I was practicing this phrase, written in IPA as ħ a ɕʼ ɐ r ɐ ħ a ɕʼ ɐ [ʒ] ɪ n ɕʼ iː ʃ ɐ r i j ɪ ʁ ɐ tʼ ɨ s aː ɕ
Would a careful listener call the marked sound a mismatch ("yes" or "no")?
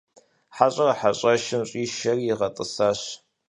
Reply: yes